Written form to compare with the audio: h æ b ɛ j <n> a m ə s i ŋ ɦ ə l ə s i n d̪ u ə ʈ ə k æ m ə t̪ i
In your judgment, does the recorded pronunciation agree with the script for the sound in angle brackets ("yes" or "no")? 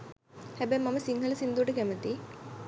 no